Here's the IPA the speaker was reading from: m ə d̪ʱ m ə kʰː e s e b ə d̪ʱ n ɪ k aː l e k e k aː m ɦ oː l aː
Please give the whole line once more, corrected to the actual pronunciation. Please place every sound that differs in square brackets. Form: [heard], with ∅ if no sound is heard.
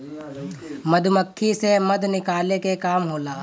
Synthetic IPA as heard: m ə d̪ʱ m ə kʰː [i] s e [m] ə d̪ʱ n ɪ k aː l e k e k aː m ɦ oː l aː